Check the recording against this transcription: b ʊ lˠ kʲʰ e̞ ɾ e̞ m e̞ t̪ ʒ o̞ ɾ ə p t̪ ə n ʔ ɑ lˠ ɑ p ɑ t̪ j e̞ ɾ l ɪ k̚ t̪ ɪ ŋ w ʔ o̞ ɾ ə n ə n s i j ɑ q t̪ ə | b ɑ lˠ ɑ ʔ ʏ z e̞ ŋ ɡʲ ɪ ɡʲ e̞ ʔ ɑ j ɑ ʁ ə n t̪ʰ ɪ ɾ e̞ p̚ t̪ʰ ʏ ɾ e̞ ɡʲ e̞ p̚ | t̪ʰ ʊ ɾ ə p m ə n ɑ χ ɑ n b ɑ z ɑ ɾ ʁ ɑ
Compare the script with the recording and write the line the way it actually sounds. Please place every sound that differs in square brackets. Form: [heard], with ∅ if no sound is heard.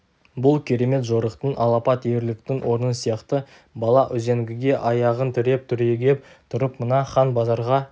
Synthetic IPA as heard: b ʊ lˠ kʲʰ e̞ ɾ e̞ m e̞ t̪ ʒ o̞ ɾ ə [q] t̪ ə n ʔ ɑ lˠ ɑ p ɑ t̪ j e̞ ɾ l ɪ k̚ t̪ ɪ ŋ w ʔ o̞ ɾ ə n ə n s i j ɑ q t̪ ə | b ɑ lˠ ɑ ʔ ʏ z e̞ ŋ ɡʲ ɪ ɡʲ e̞ ʔ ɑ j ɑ ʁ ə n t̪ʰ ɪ ɾ e̞ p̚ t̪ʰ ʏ ɾ e̞ ɡʲ e̞ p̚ | t̪ʰ ʊ ɾ ə p m ə n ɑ χ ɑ n b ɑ z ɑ ɾ ʁ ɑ

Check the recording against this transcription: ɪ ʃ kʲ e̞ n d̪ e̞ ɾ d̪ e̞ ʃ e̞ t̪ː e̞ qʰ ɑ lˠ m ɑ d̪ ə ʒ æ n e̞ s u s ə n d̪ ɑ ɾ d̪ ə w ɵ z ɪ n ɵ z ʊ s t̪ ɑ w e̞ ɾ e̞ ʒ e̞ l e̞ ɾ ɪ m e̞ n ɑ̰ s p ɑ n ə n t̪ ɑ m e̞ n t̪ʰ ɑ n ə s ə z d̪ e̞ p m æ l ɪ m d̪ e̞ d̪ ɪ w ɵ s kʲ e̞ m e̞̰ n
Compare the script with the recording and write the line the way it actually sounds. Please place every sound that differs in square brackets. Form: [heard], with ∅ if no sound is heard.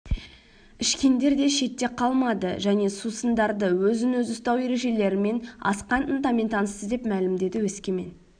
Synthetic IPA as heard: ɪ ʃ kʲ e̞ n d̪ e̞ ɾ d̪ e̞ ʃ e̞ t̪ː e̞ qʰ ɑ lˠ m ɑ d̪ ə ʒ æ n e̞ s u s ə n d̪ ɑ ɾ d̪ ə w ɵ z ɪ n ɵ z ʊ s t̪ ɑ w e̞ ɾ e̞ ʒ e̞ l e̞ ɾ ɪ m e̞ n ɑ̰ s [q] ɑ n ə n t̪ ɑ m e̞ n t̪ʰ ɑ n ə s ə z d̪ e̞ p m æ l ɪ m d̪ e̞ d̪ ɪ w ɵ s kʲ e̞ m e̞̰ n

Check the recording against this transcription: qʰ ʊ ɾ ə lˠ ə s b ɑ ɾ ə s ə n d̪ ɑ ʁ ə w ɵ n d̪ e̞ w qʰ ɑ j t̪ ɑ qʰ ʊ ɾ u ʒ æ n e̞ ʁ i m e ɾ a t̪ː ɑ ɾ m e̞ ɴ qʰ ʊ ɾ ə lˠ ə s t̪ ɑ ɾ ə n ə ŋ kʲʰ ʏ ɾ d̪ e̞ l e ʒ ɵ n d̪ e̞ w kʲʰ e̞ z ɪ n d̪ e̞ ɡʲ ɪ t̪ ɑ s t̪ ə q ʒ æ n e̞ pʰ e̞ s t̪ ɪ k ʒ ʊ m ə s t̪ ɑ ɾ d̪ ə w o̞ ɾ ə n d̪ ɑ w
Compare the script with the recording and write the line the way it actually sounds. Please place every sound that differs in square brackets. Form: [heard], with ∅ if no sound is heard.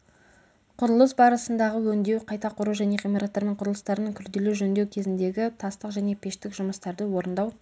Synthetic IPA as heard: qʰ ʊ ɾ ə lˠ ə s b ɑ ɾ ə s ə n d̪ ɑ ʁ ə w ɵ n d̪ e̞ w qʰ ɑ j t̪ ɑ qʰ ʊ ɾ u ʒ æ n e̞ ʁ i m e ɾ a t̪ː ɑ ɾ m e̞ ɴ qʰ ʊ ɾ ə lˠ ə s t̪ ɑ ɾ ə n ə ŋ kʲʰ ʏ ɾ d̪ e̞ l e ʒ ɵ n d̪ e̞ w kʲʰ e̞ z ɪ n d̪ e̞ ɡʲ ɪ [t̪ʰ] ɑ s t̪ ə q ʒ æ n e̞ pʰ e̞ [ʃ] t̪ ɪ k ʒ ʊ m ə s t̪ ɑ ɾ d̪ ə w o̞ ɾ ə n d̪ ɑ w

